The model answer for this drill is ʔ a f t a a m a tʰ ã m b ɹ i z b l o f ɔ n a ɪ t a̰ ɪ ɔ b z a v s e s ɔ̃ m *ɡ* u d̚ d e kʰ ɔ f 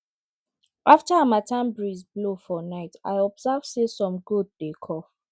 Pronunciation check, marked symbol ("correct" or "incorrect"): correct